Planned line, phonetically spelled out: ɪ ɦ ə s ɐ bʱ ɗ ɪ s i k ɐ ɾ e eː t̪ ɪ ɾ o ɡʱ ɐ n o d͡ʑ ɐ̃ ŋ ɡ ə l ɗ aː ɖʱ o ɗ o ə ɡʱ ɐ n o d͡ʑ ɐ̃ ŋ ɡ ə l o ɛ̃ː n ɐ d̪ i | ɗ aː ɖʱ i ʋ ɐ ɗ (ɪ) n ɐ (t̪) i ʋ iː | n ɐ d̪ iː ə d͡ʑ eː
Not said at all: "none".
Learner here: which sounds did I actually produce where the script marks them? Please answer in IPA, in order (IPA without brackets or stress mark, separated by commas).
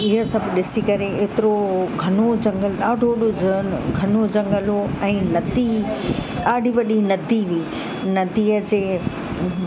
i, d̪